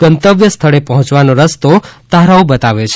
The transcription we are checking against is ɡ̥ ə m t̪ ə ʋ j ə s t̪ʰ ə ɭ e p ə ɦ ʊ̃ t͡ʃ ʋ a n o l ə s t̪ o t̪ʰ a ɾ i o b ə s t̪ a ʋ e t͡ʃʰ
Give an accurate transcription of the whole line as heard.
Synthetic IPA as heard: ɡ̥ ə n t̪ ə ʋ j ə s t̪ʰ ə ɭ e p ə ɦ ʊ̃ t͡ʃ ʋ a n o ɾ ə s t̪ o t̪ a ɾ a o b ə t̪ a ʋ e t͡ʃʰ